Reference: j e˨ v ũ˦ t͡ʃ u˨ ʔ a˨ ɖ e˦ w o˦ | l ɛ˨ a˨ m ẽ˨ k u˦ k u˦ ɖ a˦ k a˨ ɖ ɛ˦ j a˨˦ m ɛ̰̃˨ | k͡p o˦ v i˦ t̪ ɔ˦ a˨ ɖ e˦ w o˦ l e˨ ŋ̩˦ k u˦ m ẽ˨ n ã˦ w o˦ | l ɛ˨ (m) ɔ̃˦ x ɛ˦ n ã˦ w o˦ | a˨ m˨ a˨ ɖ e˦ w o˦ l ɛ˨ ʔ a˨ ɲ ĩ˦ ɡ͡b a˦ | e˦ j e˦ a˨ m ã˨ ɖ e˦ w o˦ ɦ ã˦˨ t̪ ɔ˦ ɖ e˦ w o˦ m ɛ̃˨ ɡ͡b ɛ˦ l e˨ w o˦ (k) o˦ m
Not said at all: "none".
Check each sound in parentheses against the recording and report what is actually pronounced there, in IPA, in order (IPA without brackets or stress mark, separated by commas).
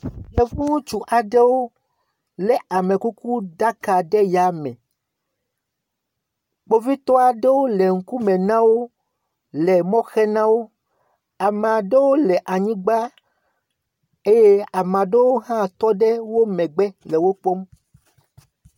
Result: m, k͡p